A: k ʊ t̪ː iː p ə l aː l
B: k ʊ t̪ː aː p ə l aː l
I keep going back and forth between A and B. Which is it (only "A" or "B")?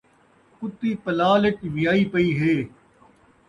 A